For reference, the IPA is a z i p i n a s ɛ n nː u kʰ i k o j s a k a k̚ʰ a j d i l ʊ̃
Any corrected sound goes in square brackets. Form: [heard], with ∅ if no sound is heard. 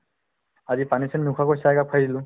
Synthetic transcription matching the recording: a z i p [a] n [i] s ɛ n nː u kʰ [a] k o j s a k a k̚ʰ a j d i l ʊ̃